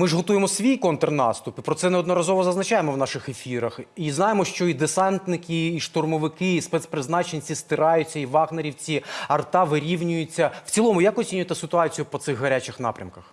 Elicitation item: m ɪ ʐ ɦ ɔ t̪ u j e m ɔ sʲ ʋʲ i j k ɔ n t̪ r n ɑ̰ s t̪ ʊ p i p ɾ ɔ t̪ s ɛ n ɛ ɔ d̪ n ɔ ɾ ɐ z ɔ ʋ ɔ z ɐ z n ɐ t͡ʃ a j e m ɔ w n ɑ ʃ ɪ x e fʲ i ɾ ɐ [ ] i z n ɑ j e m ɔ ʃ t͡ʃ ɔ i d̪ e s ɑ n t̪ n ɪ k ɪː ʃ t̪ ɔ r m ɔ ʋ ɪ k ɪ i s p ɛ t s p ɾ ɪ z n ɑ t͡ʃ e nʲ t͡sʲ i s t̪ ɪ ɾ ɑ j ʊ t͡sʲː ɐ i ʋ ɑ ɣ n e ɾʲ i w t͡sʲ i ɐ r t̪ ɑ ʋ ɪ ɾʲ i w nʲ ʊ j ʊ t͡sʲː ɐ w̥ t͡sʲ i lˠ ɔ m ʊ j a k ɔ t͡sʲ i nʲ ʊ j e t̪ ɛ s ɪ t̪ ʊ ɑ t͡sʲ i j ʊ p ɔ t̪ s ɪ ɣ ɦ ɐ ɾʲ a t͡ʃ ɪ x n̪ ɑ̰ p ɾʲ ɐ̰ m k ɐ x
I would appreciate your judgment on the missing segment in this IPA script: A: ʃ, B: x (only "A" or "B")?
B